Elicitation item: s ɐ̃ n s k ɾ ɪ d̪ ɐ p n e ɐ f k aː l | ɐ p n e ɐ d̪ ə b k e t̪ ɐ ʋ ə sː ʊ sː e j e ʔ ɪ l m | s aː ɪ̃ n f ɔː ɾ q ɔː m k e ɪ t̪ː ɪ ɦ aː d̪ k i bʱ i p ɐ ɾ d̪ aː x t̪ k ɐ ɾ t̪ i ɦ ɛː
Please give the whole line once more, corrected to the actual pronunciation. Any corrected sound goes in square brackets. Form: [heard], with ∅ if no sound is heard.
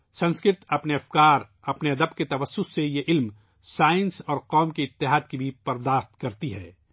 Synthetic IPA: s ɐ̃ n s k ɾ ɪ [t̪] ɐ p n e ɐ f k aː [ɾ] | ɐ p n e ɐ d̪ ə b k e t̪ ɐ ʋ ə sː ʊ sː e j e ʔ ɪ l m | s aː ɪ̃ n [s] ɔː ɾ q ɔː m k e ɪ t̪ː ɪ ɦ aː d̪ k i bʱ i p ɐ ɾ d̪ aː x t̪ k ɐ ɾ t̪ i ɦ ɛː